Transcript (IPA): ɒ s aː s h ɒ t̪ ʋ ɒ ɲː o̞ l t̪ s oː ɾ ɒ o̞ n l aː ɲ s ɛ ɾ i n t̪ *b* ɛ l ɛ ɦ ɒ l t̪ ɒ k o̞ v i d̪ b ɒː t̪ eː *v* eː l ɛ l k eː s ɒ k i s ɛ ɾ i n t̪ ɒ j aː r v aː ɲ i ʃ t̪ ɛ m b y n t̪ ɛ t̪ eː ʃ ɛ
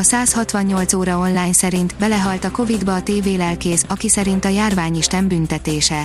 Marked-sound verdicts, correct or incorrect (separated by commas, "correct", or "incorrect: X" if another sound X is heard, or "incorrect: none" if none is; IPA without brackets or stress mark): correct, correct